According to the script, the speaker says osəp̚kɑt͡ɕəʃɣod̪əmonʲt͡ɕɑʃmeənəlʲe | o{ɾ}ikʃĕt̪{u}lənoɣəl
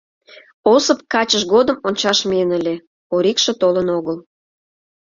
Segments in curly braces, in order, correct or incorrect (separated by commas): correct, incorrect